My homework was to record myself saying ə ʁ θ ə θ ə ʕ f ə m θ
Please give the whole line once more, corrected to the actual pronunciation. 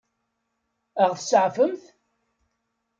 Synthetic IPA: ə ʁ θ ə s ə ʕ f ə m θ